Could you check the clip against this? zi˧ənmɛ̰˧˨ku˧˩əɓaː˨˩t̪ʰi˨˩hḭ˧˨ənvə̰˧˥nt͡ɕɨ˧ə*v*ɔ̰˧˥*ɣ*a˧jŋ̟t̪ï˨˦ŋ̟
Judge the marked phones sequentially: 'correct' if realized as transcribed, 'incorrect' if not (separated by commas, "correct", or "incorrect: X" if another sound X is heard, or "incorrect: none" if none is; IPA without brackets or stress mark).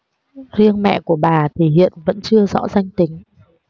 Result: incorrect: z, incorrect: z